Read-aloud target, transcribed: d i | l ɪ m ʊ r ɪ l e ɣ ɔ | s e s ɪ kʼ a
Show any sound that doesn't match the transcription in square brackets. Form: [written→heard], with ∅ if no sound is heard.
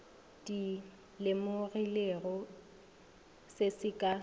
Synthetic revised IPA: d i | l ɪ m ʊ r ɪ l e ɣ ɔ | s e s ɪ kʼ a